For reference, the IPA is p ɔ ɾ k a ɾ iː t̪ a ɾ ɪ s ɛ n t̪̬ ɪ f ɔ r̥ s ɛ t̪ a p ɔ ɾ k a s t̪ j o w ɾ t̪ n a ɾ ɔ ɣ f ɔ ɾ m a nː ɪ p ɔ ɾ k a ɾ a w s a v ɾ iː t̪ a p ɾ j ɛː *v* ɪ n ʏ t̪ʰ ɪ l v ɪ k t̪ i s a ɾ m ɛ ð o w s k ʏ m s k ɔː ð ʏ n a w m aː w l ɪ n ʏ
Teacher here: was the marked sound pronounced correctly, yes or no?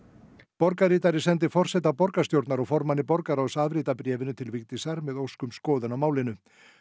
yes